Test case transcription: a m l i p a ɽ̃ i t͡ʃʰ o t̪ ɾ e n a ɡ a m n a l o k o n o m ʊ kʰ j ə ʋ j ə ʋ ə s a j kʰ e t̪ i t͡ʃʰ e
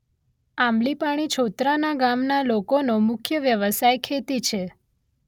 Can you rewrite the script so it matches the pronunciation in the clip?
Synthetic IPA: a m l i p a ɽ̃ i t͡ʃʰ o t̪ ɾ a n a ɡ a m n a l o k o n o m ʊ kʰ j ə ʋ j ə ʋ ə s a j kʰ e t̪ i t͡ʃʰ e